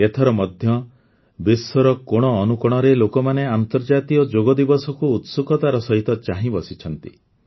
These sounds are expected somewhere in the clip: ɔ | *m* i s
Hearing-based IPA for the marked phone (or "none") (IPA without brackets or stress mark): b